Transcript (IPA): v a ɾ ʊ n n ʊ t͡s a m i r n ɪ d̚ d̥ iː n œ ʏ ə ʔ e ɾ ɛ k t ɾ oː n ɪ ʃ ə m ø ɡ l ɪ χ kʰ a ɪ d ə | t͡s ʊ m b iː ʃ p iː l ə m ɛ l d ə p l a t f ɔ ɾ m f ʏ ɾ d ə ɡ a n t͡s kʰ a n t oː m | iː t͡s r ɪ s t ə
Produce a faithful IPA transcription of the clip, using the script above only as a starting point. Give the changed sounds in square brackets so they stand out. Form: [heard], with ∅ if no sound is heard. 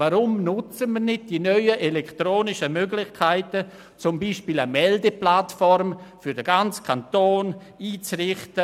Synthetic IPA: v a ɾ ʊ [m] n ʊ t͡s [ə] m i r n ɪ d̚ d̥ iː n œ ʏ ə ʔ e [l] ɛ k t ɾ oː n ɪ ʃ ə m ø ɡ l ɪ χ kʰ a ɪ [t] ə | t͡s ʊ m b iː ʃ p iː l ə m ɛ l d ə p l a t f ɔ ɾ m f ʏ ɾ d ə ɡ a n t͡s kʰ a n t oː [n] | iː t͡s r ɪ [χ] t ə